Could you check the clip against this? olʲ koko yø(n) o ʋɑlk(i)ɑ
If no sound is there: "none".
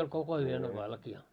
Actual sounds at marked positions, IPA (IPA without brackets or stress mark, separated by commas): n, i